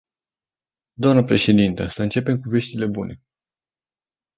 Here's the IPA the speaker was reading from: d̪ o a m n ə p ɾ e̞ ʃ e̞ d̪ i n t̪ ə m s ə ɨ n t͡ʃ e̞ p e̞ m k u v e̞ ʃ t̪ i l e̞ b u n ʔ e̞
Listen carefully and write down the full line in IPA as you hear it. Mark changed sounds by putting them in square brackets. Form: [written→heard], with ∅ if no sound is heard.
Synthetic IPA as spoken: d̪ o a m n ə p ɾ e̞ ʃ e̞ d̪ i n t̪ ə [m→∅] s ə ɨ n t͡ʃ e̞ p e̞ m k u v e̞ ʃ t̪ i l e̞ b u n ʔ e̞